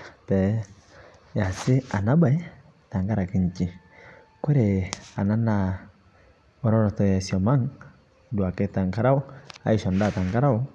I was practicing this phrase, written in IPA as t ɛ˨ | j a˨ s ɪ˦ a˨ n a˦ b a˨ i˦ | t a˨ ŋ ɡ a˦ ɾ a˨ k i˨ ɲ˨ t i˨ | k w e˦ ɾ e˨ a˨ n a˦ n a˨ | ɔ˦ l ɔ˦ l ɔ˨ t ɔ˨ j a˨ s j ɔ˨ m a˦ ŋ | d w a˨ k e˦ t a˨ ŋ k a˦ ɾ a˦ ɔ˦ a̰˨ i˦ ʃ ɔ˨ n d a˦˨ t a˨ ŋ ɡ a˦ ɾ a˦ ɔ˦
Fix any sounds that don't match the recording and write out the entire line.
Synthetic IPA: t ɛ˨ | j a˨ s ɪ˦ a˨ n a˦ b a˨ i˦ | t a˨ ŋ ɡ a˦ ɾ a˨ k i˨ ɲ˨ t͡ʃ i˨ | k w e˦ ɾ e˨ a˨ n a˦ n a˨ | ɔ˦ ɾ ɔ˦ ɾ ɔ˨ t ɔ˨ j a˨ s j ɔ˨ m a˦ ŋ | d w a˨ k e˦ t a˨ ŋ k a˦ ɾ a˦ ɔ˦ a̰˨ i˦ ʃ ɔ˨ n d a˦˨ t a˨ ŋ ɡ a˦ ɾ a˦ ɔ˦